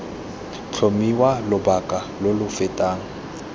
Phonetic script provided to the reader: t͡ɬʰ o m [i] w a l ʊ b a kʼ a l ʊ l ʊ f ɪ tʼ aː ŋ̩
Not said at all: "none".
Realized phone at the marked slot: i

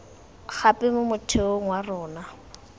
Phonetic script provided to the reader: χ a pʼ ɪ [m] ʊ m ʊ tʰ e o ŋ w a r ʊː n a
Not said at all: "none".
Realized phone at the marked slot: m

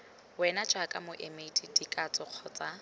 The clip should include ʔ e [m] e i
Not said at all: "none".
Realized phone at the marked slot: m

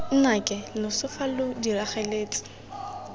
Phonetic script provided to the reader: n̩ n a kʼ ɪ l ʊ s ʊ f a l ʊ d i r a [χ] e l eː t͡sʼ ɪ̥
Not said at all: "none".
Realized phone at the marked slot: χ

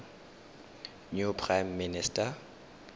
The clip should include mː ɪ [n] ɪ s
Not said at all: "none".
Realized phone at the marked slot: n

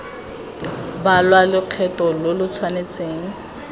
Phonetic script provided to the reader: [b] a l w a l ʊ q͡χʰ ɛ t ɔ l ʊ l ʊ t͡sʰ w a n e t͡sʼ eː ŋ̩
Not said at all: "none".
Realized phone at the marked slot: b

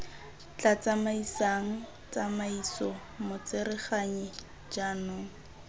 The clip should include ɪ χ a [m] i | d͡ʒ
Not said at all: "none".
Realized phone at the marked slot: ɲ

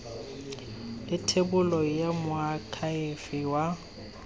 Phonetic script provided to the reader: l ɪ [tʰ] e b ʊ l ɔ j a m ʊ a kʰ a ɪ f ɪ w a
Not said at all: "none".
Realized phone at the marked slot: tʰ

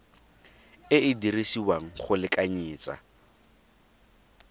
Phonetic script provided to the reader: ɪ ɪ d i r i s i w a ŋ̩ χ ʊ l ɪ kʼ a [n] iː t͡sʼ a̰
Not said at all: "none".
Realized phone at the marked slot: ɲ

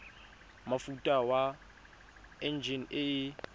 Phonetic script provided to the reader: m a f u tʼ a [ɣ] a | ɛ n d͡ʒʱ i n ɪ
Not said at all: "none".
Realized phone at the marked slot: w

